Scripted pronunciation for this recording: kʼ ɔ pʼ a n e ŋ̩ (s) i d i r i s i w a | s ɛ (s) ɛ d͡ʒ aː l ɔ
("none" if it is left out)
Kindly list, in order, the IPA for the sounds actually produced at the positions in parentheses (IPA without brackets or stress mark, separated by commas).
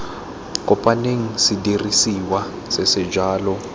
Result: s, s